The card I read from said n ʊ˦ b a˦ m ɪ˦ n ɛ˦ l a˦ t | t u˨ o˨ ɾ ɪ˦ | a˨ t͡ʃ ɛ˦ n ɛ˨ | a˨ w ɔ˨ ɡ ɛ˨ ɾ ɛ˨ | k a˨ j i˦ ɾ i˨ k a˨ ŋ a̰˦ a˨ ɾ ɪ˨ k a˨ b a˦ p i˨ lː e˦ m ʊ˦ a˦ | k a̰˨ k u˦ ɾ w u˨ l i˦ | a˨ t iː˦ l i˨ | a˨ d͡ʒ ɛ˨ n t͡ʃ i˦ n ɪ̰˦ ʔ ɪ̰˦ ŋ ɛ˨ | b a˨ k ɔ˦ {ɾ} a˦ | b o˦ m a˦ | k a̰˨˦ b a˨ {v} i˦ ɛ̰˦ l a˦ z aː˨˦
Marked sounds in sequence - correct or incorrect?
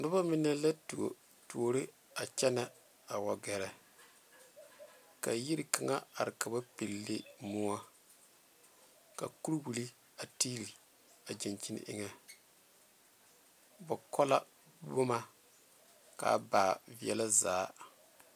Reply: incorrect: l, correct

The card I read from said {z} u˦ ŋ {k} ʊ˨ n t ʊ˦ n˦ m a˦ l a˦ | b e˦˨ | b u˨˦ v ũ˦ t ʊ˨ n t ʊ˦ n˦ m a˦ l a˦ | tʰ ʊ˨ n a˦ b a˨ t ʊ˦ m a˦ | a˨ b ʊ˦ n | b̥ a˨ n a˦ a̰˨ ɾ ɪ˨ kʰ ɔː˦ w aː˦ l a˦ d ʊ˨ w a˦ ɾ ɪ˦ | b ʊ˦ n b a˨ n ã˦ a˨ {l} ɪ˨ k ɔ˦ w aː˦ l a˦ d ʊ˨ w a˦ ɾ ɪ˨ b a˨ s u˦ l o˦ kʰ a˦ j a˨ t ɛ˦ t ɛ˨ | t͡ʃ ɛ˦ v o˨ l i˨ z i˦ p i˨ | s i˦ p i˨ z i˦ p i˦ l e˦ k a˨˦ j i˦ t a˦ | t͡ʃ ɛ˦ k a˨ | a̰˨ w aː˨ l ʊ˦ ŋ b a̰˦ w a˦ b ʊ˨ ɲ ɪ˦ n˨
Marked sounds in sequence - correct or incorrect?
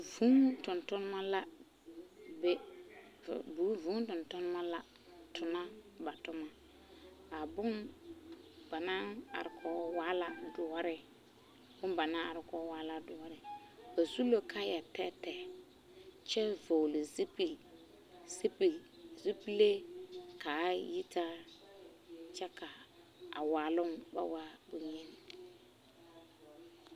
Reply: incorrect: v, incorrect: t, incorrect: ɾ

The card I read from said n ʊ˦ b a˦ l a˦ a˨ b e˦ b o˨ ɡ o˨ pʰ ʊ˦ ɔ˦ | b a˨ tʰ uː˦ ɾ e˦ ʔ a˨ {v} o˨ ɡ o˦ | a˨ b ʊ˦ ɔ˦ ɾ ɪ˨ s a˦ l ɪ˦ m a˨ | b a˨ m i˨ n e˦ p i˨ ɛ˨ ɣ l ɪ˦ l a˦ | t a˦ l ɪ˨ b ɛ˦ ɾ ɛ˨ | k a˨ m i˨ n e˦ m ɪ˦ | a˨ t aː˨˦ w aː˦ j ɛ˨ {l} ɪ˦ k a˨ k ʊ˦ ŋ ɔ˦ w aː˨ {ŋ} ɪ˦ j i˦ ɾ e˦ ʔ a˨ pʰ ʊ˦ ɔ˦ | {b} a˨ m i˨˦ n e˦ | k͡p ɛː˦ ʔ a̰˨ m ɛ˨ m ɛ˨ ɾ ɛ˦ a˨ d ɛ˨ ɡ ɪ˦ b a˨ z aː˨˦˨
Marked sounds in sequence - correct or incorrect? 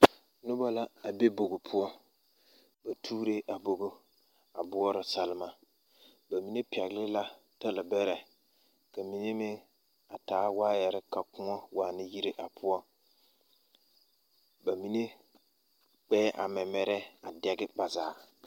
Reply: incorrect: b, incorrect: ɾ, incorrect: n, correct

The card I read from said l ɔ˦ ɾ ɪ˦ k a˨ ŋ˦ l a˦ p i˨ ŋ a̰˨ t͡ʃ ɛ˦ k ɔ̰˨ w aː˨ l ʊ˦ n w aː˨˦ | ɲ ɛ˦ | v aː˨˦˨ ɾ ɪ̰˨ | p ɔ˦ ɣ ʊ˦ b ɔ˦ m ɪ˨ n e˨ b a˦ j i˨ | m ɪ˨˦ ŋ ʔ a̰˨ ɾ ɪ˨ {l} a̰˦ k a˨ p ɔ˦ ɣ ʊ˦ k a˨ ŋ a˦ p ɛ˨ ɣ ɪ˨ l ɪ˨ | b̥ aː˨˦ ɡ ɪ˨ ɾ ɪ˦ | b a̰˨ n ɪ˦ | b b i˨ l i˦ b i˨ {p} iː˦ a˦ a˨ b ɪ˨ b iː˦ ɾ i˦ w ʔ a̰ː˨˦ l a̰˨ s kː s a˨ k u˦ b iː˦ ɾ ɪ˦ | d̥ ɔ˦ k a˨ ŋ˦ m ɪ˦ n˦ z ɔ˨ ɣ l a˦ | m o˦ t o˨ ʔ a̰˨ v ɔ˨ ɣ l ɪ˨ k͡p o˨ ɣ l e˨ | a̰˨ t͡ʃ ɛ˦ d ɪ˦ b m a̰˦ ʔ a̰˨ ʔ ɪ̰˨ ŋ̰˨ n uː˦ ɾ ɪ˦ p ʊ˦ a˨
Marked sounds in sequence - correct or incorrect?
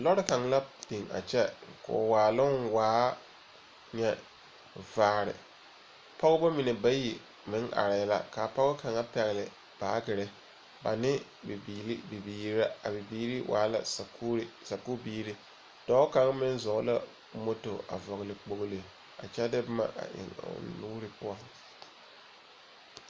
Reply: correct, incorrect: b

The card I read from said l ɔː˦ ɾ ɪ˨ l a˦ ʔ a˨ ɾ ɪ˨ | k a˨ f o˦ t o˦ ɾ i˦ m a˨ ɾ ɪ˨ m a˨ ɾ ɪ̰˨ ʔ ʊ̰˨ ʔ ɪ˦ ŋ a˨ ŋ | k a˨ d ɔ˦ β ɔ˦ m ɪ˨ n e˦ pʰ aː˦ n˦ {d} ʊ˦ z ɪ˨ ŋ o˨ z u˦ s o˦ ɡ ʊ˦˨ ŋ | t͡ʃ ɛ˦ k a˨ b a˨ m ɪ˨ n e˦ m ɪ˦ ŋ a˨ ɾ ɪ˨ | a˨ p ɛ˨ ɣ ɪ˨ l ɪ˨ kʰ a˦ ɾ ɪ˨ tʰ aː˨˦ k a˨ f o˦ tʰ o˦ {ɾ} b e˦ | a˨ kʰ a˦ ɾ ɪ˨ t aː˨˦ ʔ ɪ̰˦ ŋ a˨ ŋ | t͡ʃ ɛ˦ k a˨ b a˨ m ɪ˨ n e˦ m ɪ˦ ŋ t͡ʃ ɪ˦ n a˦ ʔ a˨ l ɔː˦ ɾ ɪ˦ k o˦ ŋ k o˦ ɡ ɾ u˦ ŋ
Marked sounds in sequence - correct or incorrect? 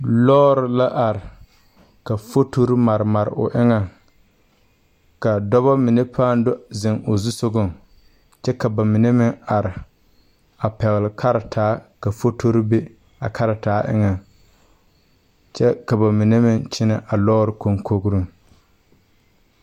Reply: correct, correct

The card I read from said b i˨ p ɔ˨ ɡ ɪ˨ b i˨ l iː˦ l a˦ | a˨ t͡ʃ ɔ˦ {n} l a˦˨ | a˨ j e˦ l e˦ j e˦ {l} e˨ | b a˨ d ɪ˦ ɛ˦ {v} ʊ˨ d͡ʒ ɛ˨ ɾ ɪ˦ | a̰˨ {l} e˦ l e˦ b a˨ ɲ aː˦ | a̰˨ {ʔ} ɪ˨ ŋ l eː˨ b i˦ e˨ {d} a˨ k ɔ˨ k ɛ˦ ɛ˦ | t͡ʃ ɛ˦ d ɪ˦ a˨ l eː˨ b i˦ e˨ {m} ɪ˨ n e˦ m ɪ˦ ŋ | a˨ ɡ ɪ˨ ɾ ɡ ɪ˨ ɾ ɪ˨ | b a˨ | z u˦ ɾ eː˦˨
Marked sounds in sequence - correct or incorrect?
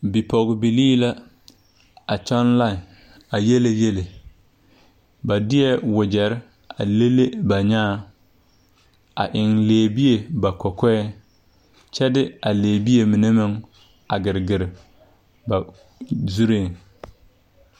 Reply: correct, correct, incorrect: w, correct, correct, incorrect: b, correct

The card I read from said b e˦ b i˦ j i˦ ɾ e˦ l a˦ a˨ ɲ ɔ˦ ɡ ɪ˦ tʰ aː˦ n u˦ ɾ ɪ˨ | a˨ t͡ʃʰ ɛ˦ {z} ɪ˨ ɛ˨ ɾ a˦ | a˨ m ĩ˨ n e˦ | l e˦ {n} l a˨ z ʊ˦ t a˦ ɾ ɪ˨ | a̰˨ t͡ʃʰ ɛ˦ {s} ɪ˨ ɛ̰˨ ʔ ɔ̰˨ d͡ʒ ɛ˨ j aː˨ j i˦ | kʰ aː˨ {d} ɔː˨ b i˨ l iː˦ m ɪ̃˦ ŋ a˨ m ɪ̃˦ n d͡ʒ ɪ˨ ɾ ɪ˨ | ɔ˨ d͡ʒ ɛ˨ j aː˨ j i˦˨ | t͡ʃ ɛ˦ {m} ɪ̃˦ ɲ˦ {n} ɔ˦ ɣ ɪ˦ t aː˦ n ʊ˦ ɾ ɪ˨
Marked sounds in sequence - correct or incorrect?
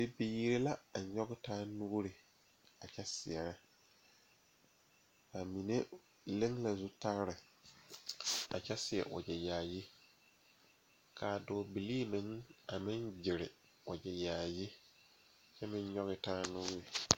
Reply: incorrect: s, incorrect: ŋ, correct, correct, correct, incorrect: ɲ

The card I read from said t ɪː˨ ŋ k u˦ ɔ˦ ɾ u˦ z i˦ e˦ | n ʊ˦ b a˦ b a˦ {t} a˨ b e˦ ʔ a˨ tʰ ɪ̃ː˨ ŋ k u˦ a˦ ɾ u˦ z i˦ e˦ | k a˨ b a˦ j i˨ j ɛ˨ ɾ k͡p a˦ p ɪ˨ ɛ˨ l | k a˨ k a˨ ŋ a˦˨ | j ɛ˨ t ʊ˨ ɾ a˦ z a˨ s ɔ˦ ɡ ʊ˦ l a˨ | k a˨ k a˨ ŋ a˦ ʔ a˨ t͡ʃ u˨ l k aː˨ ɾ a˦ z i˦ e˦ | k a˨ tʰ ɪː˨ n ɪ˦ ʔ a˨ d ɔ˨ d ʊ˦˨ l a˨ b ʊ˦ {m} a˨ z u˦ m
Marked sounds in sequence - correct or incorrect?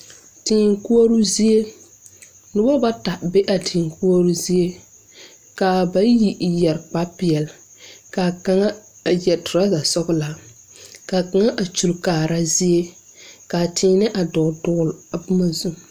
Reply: correct, correct

